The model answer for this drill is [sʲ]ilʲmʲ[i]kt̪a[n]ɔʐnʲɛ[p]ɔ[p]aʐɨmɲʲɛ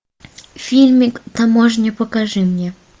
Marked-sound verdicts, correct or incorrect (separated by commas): incorrect, correct, incorrect, correct, incorrect